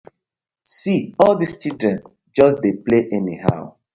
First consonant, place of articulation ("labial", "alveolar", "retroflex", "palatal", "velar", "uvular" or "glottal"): alveolar